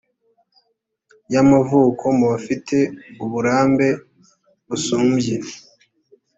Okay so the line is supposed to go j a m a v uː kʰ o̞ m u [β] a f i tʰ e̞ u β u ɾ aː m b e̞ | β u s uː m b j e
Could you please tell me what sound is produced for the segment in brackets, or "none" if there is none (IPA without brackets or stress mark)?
β